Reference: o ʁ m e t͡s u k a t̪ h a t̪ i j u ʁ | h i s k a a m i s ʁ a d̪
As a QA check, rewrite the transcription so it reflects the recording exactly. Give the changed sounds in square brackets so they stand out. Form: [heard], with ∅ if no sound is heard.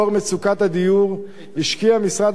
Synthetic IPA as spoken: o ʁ m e t͡s u k a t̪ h a [d̪] i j u ʁ | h i [ʃ] k [i] a m i s ʁ a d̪